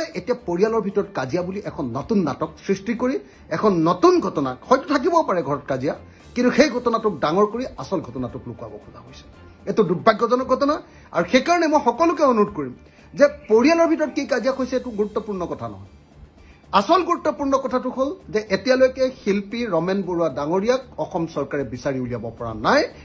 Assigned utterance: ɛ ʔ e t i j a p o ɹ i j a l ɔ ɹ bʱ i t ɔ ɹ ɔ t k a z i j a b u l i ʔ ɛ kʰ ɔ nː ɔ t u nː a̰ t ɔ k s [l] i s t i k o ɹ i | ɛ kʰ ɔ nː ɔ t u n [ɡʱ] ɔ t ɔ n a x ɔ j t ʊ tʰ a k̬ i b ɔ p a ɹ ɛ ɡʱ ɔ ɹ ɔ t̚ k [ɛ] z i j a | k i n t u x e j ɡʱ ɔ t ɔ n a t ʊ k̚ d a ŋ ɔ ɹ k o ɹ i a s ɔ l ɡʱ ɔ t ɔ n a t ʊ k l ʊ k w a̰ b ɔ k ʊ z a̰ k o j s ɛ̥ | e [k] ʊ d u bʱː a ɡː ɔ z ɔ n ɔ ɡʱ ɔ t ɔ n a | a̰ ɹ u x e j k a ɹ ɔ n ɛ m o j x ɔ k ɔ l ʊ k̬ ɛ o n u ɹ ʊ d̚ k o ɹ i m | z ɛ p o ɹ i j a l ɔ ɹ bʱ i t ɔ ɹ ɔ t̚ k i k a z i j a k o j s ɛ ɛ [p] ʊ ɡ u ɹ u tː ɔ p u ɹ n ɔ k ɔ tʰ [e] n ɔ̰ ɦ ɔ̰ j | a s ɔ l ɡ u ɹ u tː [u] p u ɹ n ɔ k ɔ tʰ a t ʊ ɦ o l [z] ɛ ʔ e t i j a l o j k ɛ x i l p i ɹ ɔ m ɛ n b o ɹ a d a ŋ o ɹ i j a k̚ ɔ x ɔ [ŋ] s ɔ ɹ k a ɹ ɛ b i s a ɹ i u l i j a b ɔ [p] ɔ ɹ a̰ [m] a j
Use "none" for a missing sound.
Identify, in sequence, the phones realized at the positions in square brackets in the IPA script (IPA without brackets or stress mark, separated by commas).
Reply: ɹ, ɡʱ, a, t, t, a, ɔ, z, m, p, n